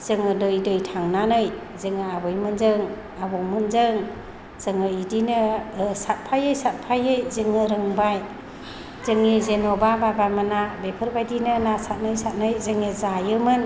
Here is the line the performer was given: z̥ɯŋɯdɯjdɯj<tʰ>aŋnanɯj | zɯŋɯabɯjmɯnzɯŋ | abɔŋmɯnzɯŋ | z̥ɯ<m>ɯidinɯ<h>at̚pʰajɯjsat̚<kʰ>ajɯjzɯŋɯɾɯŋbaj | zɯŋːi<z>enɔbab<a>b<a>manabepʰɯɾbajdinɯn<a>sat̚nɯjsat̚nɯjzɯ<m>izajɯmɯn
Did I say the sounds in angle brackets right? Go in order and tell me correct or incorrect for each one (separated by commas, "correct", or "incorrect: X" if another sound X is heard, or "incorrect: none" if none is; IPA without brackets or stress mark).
correct, incorrect: ŋ, incorrect: s, incorrect: pʰ, correct, correct, correct, correct, incorrect: ŋ